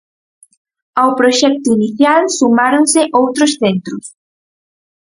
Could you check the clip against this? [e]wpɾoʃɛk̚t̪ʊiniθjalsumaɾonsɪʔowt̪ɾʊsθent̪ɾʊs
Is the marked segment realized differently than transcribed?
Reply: yes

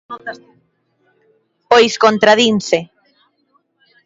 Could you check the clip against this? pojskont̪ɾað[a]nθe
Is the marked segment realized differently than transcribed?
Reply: yes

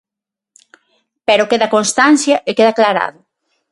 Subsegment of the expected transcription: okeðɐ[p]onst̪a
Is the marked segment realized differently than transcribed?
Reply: yes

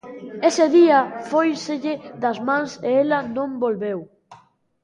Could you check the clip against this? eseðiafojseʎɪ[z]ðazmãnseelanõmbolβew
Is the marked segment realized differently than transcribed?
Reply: yes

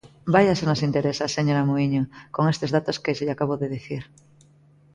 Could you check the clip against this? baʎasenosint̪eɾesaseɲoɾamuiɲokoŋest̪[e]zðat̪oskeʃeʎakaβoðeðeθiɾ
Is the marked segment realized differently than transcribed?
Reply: no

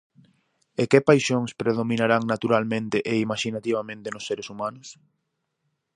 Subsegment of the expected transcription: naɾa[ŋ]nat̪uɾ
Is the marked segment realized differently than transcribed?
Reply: no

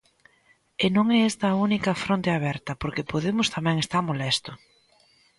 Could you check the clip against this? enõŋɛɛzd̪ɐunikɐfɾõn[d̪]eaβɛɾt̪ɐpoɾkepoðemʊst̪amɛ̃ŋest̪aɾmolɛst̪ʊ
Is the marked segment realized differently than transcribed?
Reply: yes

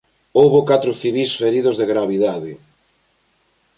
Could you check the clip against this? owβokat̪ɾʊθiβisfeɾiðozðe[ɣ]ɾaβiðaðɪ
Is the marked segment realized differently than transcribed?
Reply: no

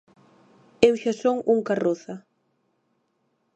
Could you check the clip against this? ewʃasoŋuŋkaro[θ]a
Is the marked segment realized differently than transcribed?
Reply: no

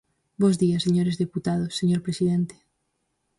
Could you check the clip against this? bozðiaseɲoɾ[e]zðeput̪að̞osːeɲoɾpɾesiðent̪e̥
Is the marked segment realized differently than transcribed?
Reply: no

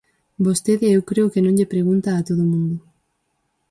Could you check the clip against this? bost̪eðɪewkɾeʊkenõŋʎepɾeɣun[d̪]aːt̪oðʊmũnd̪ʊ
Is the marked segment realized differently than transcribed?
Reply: yes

